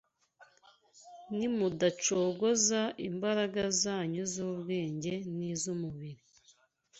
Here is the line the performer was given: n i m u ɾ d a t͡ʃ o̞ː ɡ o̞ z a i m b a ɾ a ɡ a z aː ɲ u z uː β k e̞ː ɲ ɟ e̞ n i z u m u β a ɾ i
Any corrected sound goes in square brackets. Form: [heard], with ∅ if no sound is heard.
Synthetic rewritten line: n i m u [∅] d a t͡ʃ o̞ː ɡ o̞ z a i m b a ɾ a ɡ a z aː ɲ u z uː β [ɡ] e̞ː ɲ ɟ e̞ n i z u m u β [i] ɾ i